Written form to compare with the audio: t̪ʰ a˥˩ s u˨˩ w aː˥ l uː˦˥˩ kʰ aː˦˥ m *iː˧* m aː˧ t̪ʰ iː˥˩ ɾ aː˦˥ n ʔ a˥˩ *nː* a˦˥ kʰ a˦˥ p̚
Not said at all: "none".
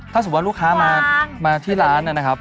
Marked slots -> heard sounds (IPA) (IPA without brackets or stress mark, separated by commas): aː˧, n